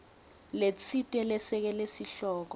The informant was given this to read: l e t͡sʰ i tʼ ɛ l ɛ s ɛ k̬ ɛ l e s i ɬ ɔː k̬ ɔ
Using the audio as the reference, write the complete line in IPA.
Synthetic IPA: l e t͡sʰ i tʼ ɛ l ɛ s ɛ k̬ ɛ l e s i ɬ ɔː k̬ ɔ